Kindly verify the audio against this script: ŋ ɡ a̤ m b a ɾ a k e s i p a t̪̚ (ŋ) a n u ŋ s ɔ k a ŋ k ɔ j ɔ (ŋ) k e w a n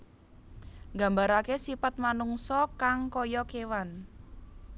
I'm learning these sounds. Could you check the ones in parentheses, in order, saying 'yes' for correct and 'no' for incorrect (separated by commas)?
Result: no, no